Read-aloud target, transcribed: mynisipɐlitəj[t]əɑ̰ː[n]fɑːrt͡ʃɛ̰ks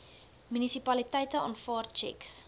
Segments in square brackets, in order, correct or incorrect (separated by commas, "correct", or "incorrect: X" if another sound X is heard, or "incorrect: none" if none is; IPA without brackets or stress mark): correct, correct